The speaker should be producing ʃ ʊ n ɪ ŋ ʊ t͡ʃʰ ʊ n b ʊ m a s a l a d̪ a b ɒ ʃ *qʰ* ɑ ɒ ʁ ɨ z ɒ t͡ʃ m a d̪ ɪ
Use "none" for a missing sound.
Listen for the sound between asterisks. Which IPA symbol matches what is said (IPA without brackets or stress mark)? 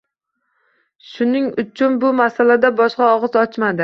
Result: q